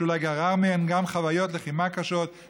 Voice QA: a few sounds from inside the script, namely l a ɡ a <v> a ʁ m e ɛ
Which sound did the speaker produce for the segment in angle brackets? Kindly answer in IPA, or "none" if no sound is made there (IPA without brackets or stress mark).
ʁ